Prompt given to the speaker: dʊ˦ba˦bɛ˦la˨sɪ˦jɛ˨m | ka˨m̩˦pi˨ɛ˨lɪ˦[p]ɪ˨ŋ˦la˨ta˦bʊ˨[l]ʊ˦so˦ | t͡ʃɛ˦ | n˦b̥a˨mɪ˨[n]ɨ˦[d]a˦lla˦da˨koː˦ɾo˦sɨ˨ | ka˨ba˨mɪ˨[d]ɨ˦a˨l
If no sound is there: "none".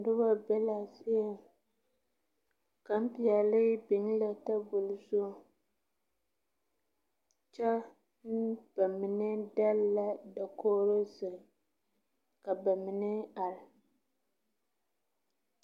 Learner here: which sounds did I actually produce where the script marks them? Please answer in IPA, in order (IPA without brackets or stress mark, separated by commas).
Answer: b, l, n, d, n